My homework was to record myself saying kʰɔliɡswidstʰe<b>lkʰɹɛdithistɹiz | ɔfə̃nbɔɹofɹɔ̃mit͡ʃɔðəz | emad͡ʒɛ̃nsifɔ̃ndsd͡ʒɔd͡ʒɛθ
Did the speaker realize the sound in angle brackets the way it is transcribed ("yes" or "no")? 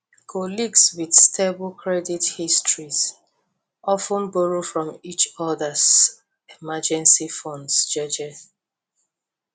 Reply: yes